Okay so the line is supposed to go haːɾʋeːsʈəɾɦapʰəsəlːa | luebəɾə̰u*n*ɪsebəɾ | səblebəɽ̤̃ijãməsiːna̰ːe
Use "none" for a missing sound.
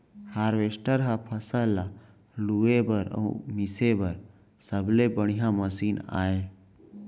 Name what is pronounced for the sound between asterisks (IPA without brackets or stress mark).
m